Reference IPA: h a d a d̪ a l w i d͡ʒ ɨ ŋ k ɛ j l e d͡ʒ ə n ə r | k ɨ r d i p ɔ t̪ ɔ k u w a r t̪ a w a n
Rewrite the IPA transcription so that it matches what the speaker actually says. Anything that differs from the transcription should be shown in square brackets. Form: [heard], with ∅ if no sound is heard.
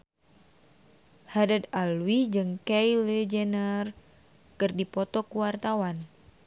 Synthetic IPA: h a d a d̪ a l w i d͡ʒ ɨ ŋ k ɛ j l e d͡ʒ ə n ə r | k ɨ r d i p ɔ t̪ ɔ k u w a r t̪ a w a n